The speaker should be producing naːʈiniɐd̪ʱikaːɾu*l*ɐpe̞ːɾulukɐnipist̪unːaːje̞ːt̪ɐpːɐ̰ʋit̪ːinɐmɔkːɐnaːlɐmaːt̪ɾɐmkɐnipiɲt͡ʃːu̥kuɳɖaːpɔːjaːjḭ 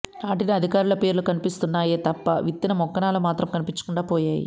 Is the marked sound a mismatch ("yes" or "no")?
no